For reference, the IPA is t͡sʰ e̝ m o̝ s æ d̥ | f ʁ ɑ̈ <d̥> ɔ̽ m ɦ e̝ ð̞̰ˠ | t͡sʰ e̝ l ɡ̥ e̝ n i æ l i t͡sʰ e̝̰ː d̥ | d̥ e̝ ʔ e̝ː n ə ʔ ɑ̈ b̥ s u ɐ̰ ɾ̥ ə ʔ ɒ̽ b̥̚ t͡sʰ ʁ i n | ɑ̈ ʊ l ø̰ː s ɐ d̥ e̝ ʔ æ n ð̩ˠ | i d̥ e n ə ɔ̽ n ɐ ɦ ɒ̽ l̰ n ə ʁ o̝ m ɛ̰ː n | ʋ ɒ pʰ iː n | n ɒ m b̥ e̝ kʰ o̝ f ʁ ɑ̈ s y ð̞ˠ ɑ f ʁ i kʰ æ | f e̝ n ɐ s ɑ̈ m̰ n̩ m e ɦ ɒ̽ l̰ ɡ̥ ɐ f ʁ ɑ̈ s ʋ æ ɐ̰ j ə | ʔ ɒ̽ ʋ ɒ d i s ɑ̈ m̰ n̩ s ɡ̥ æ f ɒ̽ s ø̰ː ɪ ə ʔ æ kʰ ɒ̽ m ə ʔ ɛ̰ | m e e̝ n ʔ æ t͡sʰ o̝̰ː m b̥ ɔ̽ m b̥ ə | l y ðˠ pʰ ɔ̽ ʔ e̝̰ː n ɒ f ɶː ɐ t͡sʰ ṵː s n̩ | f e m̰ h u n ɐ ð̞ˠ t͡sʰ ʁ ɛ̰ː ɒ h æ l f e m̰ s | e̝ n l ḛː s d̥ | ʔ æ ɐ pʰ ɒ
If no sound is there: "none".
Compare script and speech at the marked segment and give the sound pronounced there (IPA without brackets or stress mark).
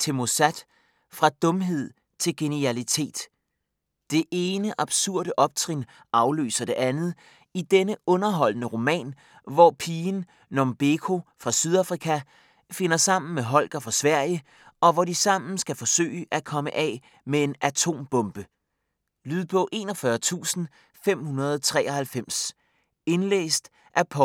d̥